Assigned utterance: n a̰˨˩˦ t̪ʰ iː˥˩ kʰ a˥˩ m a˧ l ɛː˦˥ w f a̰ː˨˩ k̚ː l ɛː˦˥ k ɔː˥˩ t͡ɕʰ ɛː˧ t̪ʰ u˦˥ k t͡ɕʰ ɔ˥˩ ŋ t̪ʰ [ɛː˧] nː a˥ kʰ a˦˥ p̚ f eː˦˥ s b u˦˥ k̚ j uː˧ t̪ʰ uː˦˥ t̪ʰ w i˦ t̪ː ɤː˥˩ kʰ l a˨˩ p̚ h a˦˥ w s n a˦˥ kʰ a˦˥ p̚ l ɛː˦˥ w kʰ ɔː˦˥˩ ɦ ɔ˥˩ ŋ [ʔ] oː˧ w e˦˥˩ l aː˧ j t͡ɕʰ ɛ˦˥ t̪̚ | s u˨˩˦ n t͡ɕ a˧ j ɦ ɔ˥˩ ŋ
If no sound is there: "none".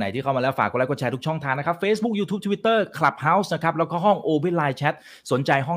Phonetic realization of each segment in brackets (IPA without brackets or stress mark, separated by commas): aː˧, ʔ